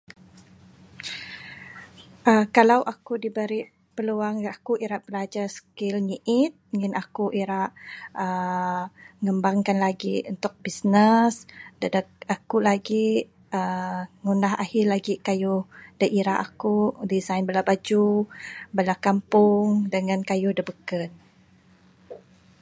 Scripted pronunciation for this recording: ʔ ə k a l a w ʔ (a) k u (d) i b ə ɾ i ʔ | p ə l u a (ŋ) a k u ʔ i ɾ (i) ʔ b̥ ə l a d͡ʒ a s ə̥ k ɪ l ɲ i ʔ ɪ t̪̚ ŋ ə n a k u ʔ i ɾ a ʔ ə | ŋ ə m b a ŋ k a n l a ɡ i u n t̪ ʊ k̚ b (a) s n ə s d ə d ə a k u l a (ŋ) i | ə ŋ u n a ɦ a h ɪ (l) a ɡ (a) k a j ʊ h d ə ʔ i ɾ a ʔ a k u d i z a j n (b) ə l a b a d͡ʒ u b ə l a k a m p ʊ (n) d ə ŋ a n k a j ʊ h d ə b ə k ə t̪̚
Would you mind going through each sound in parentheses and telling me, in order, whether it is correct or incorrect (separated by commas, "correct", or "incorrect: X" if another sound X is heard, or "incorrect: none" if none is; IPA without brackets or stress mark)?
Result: correct, correct, correct, incorrect: a, incorrect: i, incorrect: ɡ, correct, incorrect: i, correct, incorrect: ŋ